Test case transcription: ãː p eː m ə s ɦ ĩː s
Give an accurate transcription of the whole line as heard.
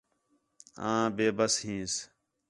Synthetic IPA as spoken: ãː b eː b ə s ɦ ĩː s